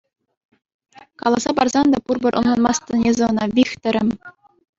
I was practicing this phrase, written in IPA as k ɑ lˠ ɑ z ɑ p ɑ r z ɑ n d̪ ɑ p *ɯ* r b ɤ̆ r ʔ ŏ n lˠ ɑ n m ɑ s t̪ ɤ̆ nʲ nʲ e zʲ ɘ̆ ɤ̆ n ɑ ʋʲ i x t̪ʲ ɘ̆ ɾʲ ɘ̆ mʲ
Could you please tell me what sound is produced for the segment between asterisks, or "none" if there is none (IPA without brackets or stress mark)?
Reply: u